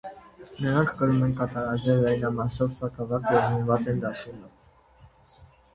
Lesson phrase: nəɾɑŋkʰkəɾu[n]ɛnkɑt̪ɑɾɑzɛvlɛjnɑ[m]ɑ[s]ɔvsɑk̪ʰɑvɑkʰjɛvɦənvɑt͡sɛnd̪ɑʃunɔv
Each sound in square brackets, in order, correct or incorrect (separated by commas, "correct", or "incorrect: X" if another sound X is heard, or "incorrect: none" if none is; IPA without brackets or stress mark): incorrect: m, correct, correct